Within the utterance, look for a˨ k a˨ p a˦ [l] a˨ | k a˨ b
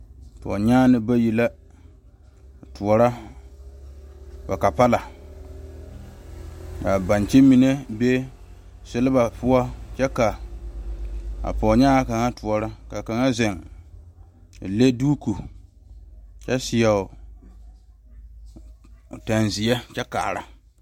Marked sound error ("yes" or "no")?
no